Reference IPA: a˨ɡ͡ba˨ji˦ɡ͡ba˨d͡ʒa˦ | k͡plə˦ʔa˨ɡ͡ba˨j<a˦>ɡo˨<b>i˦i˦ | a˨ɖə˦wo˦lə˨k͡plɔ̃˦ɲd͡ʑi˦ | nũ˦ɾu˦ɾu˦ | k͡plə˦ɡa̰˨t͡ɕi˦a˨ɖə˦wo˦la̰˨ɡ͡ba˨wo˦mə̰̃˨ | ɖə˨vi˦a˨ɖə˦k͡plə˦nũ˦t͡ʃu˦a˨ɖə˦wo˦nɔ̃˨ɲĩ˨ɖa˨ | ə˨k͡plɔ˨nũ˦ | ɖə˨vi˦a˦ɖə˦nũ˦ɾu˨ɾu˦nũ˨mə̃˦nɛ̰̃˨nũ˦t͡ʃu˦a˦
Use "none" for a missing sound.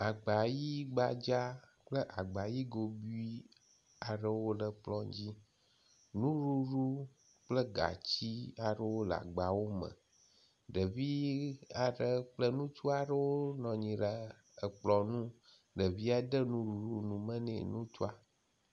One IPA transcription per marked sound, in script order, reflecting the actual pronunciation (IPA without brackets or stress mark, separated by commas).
i˦, b